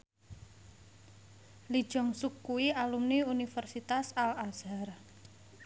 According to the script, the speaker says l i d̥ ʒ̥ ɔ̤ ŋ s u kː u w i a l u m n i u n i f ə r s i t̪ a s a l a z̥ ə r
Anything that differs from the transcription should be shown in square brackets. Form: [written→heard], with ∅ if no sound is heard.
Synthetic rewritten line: l i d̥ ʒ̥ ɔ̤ ŋ s u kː u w i a l u m n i u n i f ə r s i t̪ a s a l a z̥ [ə→a] r